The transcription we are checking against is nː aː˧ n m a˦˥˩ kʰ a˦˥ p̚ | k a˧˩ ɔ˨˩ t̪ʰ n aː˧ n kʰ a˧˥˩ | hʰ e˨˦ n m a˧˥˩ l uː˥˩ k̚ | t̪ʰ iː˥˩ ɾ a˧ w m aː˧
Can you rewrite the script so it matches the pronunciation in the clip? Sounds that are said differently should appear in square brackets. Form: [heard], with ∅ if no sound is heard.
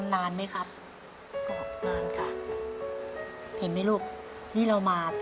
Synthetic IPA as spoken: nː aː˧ n m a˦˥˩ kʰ a˦˥ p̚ | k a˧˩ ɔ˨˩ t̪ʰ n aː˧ n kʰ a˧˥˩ | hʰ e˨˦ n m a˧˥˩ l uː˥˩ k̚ | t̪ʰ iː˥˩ ɾ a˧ w m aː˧